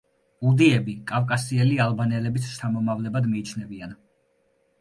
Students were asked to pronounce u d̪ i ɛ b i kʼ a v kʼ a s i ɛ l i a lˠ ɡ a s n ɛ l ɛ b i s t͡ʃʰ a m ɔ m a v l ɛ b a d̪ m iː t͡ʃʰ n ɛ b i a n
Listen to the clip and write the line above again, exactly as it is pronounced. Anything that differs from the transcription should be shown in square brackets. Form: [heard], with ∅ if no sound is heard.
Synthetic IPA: u d̪ i ɛ b i kʼ a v kʼ a s i ɛ l i a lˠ [b] a [∅] n ɛ l ɛ b i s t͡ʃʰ a m ɔ m a v l ɛ b a d̪ m iː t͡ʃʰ n ɛ b i a n